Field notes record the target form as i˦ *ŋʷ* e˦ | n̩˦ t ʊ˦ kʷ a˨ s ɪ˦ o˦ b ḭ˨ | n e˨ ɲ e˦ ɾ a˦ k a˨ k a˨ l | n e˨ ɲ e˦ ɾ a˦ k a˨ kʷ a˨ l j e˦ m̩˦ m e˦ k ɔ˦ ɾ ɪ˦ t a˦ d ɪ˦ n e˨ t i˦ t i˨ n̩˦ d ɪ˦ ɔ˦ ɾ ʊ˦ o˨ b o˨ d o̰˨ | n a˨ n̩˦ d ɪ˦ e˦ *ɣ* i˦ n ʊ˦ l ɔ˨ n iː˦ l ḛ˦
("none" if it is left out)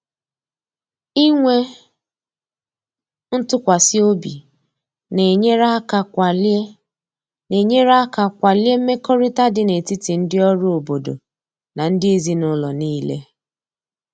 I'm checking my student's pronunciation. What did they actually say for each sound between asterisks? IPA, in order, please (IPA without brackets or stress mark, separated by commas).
ŋʷ, z